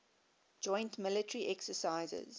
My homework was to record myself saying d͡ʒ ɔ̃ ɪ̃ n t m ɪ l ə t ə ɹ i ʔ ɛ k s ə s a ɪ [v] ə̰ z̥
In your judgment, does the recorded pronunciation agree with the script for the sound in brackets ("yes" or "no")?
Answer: no